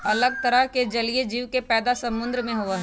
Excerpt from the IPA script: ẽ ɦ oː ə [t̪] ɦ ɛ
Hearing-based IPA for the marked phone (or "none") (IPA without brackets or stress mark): none